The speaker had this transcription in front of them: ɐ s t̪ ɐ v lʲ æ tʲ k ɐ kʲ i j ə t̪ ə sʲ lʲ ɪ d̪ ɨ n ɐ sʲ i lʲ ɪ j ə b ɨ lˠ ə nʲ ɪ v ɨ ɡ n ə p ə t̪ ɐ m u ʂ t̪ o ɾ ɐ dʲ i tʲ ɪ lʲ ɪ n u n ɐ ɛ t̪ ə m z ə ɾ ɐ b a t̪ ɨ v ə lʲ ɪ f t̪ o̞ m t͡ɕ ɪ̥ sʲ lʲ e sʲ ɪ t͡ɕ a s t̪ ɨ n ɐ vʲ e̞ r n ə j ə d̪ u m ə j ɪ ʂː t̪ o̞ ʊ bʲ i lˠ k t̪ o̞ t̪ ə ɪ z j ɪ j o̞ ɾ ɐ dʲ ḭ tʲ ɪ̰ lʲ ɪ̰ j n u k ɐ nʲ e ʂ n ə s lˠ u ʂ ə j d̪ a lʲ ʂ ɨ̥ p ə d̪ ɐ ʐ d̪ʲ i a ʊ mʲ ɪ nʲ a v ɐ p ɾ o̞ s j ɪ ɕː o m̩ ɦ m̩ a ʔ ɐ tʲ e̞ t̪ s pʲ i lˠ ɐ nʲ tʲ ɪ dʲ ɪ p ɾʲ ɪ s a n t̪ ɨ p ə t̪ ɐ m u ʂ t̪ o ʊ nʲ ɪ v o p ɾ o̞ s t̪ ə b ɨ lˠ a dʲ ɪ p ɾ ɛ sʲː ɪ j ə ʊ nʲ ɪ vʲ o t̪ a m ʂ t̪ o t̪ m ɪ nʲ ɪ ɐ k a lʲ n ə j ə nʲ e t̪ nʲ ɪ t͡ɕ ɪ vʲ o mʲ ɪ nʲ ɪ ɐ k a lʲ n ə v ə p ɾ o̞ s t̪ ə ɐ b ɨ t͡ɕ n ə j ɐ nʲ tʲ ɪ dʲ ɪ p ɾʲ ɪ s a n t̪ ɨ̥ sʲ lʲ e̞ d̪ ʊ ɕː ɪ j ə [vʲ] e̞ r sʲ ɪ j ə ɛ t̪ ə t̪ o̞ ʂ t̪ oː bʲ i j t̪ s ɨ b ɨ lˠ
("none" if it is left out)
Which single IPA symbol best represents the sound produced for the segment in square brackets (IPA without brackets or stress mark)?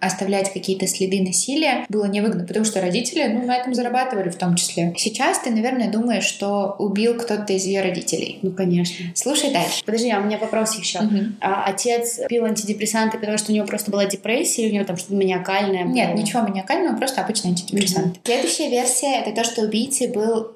vʲ